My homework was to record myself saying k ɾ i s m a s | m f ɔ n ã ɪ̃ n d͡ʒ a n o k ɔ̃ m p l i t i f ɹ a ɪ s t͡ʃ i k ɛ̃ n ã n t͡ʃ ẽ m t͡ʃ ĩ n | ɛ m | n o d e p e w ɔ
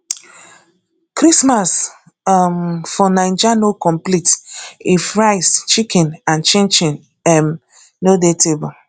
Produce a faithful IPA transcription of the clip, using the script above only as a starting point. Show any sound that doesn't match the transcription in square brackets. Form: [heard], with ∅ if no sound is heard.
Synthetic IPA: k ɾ i s m a s | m f ɔ n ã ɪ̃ n d͡ʒ a n o k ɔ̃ m p l i t i f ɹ a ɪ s t͡ʃ i k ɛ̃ n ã n t͡ʃ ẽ [n] t͡ʃ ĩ n | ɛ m | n o d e [t] e [b] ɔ